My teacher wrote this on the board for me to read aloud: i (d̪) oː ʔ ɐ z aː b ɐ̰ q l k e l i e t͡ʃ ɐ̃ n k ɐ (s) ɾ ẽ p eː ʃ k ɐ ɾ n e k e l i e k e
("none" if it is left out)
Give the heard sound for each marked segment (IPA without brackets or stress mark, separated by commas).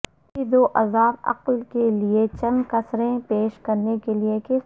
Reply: d̪, s